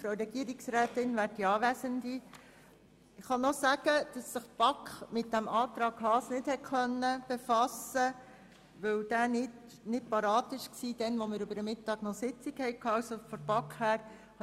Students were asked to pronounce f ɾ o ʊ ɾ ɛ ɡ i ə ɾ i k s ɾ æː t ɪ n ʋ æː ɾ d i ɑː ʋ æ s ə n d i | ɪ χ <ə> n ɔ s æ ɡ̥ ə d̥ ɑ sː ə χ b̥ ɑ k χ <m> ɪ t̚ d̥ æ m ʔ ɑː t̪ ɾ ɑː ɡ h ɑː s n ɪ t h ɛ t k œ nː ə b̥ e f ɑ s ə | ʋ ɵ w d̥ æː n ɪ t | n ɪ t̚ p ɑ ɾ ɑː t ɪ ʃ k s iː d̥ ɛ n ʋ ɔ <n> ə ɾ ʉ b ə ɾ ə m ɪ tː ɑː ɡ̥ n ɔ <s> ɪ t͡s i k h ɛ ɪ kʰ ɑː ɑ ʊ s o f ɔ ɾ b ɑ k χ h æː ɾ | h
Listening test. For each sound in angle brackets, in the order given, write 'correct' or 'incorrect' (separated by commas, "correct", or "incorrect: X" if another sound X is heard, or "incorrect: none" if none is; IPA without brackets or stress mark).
incorrect: ɑ, correct, incorrect: m, correct